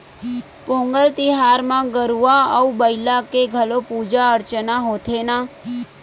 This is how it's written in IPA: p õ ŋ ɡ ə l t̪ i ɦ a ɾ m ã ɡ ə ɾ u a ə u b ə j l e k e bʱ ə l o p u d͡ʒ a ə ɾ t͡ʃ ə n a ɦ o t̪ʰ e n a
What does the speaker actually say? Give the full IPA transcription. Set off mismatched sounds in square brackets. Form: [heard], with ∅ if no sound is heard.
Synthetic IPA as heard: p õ ŋ ɡ ə l t̪ i ɦ a ɾ m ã ɡ ə ɾ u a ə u b ə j l [a] k e [ɡʱ] ə l o p u d͡ʒ a ə ɾ t͡ʃ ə n a ɦ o t̪ʰ e n a